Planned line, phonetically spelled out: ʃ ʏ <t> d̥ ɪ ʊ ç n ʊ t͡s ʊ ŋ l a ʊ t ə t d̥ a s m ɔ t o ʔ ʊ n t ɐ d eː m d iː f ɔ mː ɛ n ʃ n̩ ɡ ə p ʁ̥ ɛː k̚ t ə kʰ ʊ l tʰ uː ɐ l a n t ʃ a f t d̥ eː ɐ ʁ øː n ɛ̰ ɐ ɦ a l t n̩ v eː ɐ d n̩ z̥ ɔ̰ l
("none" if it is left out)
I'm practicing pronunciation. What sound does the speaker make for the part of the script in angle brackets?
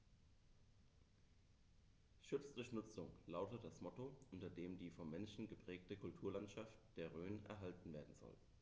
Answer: t͡s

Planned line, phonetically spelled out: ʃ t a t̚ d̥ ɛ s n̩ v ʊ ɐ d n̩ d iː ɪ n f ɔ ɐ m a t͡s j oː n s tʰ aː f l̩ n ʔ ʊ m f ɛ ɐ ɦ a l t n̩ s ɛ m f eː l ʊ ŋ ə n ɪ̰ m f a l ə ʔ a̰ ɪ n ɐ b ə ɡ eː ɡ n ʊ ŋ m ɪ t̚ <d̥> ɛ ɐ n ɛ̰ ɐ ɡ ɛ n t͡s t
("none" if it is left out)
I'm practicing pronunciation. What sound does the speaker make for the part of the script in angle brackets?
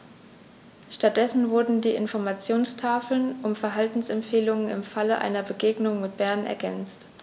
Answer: b̥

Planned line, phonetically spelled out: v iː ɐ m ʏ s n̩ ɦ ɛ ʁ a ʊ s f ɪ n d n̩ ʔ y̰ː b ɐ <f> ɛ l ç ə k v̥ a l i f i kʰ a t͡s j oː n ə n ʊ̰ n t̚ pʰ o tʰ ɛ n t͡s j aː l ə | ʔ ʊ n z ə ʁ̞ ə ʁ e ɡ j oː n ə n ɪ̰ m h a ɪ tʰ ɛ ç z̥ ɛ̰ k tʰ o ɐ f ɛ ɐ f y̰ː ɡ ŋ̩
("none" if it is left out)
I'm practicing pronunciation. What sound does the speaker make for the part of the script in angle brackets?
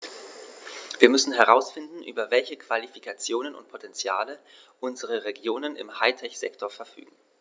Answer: v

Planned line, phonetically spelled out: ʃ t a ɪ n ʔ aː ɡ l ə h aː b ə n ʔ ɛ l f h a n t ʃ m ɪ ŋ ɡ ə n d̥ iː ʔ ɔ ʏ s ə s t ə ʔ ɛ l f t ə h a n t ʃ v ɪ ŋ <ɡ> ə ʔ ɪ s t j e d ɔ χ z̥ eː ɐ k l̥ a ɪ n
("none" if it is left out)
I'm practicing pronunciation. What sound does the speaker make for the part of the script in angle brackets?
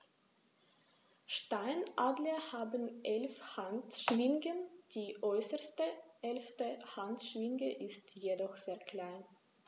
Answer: ɡ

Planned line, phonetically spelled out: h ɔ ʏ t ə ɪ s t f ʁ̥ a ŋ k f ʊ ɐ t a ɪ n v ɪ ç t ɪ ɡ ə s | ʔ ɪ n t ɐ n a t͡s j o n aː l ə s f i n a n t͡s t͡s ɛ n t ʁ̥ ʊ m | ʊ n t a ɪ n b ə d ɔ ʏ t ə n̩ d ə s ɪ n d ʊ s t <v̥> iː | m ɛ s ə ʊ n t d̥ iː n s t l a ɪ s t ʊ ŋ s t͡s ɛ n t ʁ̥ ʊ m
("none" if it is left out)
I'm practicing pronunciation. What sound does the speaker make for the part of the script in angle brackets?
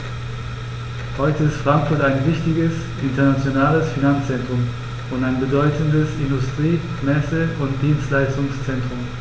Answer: ʁ̥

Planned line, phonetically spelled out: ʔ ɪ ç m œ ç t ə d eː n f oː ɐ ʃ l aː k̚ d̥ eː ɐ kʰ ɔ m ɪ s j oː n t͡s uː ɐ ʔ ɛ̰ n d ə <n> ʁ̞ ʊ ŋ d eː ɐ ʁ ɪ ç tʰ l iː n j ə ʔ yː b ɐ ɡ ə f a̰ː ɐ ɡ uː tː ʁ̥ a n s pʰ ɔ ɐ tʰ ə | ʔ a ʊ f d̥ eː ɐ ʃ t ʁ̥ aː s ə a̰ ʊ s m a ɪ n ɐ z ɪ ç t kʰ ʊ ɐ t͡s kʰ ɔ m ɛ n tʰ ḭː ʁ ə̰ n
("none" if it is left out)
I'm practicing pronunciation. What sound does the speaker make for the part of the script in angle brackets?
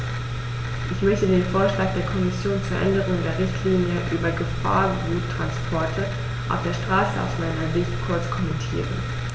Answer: none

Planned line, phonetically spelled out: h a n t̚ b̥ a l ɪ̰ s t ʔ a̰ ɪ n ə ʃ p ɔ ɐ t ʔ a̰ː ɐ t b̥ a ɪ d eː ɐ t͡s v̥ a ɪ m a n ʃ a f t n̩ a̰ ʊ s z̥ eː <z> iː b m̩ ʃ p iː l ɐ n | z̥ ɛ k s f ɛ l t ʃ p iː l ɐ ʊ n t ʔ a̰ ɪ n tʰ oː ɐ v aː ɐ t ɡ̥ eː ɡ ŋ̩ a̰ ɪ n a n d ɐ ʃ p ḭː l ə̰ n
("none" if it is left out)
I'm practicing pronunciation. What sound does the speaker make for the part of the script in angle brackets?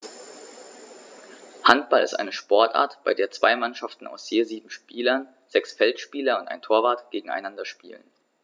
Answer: z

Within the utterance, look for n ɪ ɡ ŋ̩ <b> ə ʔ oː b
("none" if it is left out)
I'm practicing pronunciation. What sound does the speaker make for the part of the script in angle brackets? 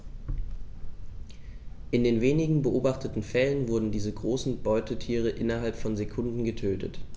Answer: b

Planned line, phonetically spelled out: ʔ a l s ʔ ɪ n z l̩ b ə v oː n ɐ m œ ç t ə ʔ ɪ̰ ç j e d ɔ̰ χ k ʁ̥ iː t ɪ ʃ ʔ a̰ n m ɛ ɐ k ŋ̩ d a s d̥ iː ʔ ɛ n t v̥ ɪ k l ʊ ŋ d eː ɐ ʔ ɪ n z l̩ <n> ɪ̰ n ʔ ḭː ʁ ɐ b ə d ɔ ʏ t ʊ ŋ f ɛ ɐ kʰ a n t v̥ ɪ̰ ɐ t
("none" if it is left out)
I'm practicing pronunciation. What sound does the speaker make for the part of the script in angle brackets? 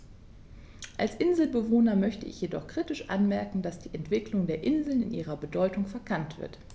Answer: n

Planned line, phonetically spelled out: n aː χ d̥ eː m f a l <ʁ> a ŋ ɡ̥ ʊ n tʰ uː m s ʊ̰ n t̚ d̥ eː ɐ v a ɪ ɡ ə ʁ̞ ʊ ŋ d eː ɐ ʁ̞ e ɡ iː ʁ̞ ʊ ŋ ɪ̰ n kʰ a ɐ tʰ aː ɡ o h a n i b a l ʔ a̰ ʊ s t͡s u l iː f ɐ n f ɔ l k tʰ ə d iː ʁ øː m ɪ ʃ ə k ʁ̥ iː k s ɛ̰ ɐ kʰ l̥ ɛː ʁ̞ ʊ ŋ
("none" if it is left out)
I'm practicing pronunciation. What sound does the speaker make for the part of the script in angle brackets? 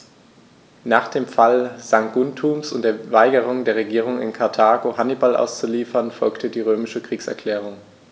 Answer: z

